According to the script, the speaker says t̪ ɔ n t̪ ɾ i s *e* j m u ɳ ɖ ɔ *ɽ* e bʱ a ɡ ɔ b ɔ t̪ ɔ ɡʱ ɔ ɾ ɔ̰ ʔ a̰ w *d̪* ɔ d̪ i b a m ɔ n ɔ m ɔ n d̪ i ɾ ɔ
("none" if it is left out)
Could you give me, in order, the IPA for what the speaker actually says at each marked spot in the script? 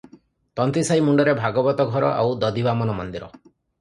a, ɾ, d̪

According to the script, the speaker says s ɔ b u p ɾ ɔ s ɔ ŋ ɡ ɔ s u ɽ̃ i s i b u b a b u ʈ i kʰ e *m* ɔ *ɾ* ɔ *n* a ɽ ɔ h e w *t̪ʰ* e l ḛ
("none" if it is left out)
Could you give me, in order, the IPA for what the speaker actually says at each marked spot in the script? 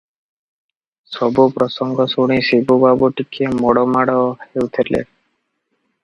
m, ɽ, m, t̪ʰ

